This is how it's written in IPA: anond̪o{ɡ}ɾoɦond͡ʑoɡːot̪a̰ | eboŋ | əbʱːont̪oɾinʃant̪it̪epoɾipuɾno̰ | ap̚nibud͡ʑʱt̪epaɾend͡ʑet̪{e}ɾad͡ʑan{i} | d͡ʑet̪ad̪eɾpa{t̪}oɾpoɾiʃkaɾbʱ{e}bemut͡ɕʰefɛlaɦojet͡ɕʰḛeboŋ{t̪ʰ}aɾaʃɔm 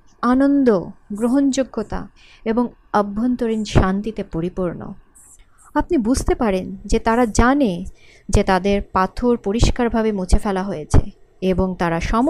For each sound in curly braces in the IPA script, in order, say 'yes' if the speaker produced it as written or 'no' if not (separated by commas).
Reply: yes, no, no, no, no, no